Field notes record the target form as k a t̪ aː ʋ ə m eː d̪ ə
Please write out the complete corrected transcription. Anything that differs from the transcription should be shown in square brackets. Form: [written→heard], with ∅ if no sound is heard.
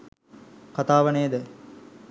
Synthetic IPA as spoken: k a t̪ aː ʋ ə [m→n] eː d̪ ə